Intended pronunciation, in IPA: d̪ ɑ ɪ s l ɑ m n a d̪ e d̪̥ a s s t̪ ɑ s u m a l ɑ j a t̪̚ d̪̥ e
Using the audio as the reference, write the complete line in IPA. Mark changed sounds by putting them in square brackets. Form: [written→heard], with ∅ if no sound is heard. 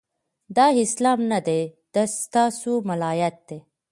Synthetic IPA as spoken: d̪ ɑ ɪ s l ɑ m n a d̪ e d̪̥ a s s t̪ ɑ s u m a l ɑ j a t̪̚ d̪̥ e